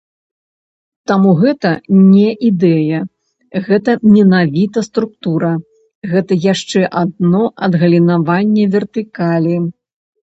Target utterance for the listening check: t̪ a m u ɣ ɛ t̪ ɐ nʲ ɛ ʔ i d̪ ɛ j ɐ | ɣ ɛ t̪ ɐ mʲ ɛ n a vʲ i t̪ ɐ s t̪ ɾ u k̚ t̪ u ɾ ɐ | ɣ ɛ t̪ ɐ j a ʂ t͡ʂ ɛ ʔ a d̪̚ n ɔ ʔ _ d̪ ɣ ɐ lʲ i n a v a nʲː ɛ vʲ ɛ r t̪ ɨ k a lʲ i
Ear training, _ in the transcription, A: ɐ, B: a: A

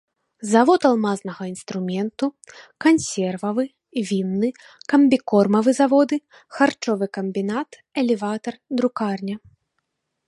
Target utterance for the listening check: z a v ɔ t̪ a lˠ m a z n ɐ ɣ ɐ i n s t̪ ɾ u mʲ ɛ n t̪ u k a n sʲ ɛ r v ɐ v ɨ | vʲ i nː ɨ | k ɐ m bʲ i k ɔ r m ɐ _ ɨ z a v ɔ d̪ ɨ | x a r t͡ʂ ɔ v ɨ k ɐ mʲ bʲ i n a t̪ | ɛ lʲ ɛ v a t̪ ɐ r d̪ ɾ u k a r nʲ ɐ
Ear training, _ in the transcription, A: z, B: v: B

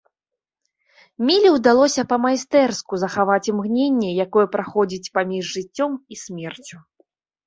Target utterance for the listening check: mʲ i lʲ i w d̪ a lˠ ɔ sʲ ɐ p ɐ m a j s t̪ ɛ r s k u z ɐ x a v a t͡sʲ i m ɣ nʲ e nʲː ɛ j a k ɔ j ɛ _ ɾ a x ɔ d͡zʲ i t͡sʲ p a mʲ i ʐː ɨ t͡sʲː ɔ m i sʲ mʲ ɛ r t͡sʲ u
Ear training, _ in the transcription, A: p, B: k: A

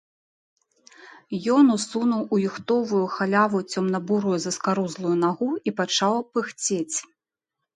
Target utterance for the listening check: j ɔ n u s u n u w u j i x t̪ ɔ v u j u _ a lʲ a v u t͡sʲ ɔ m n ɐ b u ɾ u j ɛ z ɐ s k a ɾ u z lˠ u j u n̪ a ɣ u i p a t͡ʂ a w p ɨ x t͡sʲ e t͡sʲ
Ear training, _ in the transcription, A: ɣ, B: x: B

